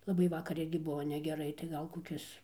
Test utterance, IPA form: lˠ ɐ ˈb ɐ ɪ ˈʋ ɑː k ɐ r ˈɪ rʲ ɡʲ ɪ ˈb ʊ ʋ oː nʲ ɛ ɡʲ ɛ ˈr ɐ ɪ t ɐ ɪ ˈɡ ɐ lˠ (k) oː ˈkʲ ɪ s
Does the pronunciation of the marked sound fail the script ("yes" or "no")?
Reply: no